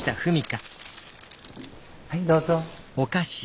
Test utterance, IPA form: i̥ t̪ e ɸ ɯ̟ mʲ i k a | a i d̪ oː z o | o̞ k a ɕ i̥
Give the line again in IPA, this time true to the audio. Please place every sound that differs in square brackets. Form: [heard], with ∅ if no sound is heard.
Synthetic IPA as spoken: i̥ t̪ [a] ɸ ɯ̟ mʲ i k a | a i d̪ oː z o | o̞ k a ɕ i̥